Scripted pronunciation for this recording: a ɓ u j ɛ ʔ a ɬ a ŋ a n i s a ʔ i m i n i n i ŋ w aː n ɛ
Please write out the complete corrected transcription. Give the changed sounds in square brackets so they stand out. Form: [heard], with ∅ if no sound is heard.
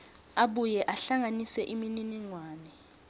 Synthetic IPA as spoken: a ɓ u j ɛ ʔ a ɬ a ŋ a n i s [ɛ] ʔ i m i n i n i ŋ w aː n ɛ